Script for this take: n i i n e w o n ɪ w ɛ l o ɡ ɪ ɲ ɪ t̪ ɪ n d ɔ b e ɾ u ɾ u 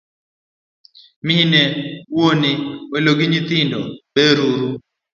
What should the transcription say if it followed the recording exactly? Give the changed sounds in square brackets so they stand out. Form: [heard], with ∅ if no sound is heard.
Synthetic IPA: [m] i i n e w o n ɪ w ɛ l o ɡ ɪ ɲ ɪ t̪ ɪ n d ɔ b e ɾ u ɾ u